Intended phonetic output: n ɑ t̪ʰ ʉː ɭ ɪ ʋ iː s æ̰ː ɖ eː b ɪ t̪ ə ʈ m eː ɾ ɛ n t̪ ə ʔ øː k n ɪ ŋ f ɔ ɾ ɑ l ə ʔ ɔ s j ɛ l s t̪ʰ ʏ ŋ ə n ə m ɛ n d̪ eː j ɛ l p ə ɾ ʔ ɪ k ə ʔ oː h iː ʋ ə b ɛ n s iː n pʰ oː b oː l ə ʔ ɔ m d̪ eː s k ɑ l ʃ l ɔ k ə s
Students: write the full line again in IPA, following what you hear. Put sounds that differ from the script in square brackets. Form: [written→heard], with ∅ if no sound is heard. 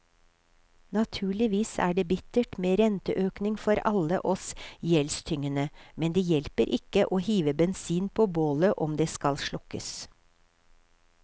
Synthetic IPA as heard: n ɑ t̪ʰ ʉː ɭ ɪ ʋ iː s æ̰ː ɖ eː b ɪ t̪ ə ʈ m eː ɾ ɛ n t̪ ə ʔ øː k n ɪ ŋ f ɔ ɾ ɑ l ə ʔ ɔ s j ɛ l s t̪ʰ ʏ ŋ ə n ə m ɛ n d̪ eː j ɛ l p ə ɾ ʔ ɪ k ə ʔ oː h iː ʋ ə b ɛ n s iː n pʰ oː b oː l ə ʔ ɔ m d̪ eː s k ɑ l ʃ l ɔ k ə s